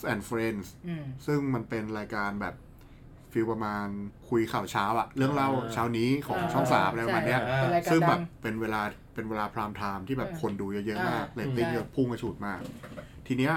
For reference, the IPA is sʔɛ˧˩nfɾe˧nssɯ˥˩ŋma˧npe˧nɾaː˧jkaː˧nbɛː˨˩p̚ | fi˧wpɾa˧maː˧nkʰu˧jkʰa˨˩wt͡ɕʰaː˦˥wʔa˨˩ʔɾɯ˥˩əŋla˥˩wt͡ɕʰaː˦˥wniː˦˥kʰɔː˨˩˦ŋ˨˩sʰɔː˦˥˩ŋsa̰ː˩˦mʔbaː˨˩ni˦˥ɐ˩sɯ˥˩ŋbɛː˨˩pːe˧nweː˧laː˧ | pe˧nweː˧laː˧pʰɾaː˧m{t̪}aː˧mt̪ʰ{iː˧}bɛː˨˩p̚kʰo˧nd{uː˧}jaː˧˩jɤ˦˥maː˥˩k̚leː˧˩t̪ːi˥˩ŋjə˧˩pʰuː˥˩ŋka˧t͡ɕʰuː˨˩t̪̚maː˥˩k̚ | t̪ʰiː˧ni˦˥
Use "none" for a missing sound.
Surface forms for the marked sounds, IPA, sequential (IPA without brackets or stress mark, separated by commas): t̪ʰ, iː˥˩, uː˧